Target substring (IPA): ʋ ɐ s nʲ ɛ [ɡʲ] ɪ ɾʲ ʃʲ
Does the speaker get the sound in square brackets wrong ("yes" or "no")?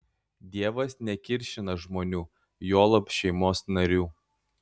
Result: yes